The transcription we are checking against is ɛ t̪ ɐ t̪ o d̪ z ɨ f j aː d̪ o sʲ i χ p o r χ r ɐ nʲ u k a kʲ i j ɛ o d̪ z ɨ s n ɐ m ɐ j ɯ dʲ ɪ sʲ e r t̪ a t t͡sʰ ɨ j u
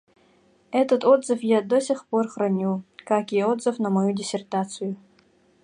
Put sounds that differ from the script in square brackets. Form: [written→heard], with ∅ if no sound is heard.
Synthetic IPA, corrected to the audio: ɛ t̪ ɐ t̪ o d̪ z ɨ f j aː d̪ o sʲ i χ p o r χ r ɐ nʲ u k a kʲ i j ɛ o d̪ z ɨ [s→f] n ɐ m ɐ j [ɯ→u] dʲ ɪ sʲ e r t̪ a t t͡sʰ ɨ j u